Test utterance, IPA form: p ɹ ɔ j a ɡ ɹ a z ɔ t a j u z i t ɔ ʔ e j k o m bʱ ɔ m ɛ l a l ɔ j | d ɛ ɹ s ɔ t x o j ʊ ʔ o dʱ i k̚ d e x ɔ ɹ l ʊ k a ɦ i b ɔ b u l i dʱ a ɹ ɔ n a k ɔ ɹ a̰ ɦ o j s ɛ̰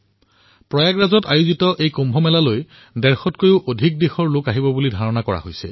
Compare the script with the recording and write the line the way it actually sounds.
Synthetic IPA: p ɹ ɔ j a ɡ ɹ a z ɔ t a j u z i t ɔ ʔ e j k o m bʱ ɔ m ɛ l a l o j | d ɛ ɹ x ɔ t k o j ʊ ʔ o dʱ i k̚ d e x ɔ ɹ l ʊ k a ɦ i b ɔ b u l i dʱ a ɹ ɔ n a k ɔ ɹ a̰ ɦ o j s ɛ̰

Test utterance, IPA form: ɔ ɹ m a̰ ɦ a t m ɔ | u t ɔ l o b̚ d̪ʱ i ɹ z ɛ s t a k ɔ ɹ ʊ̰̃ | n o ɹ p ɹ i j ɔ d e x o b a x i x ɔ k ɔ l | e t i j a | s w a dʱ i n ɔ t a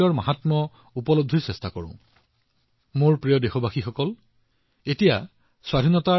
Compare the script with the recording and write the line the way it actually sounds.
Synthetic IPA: ɔ ɹ m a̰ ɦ a t m ɔ | u p ɔ l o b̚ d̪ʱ i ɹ s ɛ s t a k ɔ ɹ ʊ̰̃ | m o ɹ p ɹ i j ɔ d e x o b a x i x ɔ k ɔ l | e t i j a | s w a dʱ i n ɔ t a

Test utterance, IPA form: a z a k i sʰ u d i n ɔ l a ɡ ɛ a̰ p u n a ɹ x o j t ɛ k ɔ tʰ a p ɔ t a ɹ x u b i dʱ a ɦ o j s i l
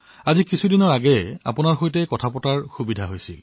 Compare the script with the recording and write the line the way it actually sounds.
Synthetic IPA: a z i k i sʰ u d i n ɔ ɹ a ɡ ɛ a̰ p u n a ɹ x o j t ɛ k ɔ tʰ a p ɔ t a ɹ x u b i dʱ a ɦ o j s i l

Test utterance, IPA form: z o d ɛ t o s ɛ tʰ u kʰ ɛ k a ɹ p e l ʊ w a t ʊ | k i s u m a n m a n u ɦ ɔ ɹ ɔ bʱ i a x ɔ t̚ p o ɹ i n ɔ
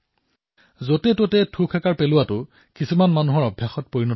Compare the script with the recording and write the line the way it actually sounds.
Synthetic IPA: z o t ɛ t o t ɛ tʰ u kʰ ɛ k a ɹ p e l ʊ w a t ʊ | k i s u m a n m a n u ɦ ɔ ɹ ɔ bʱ j a x ɔ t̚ p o ɹ i n ɔ

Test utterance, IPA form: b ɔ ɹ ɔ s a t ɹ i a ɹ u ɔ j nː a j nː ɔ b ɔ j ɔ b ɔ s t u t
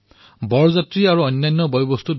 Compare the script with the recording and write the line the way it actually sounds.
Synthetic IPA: b ɔ ɹ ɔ z a t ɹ i a ɹ u ɔ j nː a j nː ɔ b ɔ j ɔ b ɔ s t u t

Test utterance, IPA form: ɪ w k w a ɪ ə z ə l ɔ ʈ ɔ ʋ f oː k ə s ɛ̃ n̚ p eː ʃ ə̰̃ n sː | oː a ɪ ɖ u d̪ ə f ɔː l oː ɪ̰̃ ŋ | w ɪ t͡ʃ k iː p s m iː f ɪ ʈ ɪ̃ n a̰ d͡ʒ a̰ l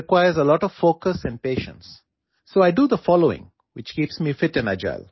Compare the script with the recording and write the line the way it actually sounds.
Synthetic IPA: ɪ k w a ɪ ə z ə l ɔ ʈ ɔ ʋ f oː k ə s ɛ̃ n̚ p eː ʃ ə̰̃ n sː | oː a ɪ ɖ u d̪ ə f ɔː l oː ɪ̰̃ ŋ | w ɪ t͡ʃ k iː p s m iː f ɪ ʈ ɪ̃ n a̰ d͡ʒ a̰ l

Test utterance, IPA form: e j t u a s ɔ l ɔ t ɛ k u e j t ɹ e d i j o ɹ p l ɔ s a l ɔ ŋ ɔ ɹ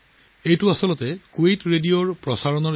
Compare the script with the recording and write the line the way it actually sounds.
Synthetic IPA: e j t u a s ɔ l ɔ t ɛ k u e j t ɹ e d i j o ɹ p ɹ ɔ s a ɹ ɔ n ɔ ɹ

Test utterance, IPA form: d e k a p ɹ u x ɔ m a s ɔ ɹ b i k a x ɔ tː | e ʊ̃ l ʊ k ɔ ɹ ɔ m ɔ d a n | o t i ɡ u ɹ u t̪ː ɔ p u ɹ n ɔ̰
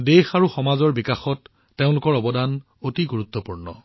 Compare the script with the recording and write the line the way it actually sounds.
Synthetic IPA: d e x a ɹ u x ɔ m a z ɔ ɹ b i k a x ɔ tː | e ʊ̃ l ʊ k ɔ ɹ ɔ b ɔ d a n | o t i ɡ u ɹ u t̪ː ɔ p u ɹ n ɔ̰

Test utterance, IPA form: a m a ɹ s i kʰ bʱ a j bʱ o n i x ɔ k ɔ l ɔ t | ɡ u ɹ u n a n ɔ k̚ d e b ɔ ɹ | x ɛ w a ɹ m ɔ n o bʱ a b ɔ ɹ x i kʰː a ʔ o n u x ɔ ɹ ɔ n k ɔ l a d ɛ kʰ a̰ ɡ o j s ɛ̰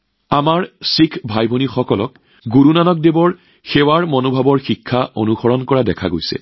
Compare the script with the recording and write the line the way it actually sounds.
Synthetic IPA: a m a ɹ s i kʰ bʱ a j bʱ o n i x ɔ k ɔ l ɔ k | ɡ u ɹ u n a n ɔ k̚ d e b ɔ ɹ | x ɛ w a ɹ m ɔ n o bʱ a b ɔ ɹ x i kʰː a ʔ o n u x ɔ ɹ ɔ n k ɔ ɹ a d ɛ kʰ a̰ ɡ o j s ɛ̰

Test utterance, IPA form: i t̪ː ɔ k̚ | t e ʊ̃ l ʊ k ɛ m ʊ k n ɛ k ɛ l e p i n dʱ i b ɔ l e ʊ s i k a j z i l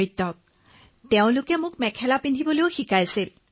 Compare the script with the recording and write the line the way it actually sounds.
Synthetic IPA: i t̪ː ɔ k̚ | t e ʊ̃ l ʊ k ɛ m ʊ k m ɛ kʰ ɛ l a p i n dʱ i b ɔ l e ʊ x i k a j s i l

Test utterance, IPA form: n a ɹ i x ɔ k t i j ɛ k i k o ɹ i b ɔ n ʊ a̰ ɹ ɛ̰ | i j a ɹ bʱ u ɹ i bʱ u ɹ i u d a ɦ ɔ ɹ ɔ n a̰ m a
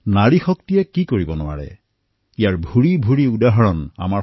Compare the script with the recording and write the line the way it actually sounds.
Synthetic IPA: n a ɹ i x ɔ k t i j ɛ k i k o ɹ i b ɔ n ʊ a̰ ɹ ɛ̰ | i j a ɹ bʱ u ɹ i bʱ u ɹ i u d a ɦ ɔ ɹ ɔ n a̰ m a

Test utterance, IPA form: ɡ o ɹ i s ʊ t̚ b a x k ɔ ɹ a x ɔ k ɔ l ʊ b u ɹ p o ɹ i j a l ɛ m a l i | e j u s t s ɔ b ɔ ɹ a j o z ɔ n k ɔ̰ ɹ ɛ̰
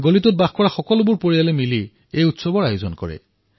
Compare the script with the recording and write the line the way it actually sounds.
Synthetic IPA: ɡ o l i t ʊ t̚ b a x k ɔ ɹ a x ɔ k ɔ l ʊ b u ɹ p o ɹ i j a l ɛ m i l i | e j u t s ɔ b ɔ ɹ a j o z ɔ n k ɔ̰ ɹ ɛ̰

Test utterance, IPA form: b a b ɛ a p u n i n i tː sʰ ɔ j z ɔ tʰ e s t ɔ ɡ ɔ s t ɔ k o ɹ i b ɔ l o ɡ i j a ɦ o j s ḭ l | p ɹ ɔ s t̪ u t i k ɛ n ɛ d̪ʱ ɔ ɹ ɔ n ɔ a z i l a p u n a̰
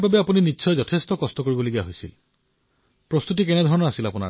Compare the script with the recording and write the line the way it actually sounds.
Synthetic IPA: b a b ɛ a p u n i n i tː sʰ ɔ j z ɔ tʰ e s t ɔ k ɔ s t ɔ k o ɹ i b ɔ l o ɡ i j a ɦ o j s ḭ l | p ɹ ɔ s t̪ u t i k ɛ n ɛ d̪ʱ ɔ ɹ ɔ n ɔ a s i l a p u n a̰

